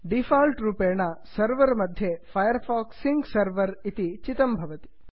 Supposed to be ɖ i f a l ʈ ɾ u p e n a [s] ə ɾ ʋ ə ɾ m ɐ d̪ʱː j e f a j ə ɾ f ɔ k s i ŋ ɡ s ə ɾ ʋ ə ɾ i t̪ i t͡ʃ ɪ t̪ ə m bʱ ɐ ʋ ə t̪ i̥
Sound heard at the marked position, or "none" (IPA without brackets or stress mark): s